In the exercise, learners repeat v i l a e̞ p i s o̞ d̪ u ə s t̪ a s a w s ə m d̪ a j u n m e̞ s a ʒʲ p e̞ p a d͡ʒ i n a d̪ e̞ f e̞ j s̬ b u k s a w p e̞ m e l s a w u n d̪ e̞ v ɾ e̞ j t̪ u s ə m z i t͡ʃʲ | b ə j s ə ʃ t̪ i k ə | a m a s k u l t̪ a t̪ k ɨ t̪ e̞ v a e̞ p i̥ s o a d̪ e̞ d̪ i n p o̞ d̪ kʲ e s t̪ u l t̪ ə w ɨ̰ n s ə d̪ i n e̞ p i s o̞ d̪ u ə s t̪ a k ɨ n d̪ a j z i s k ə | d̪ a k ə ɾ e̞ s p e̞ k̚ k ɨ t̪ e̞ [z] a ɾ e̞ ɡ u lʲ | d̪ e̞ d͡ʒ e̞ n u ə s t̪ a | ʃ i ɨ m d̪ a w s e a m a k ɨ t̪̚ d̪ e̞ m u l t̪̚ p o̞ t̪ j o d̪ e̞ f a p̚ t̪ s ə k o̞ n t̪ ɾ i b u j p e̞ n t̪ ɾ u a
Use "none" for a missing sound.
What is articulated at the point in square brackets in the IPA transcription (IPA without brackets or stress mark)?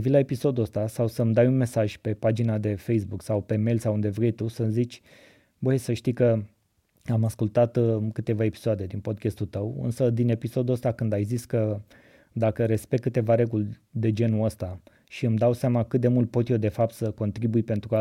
v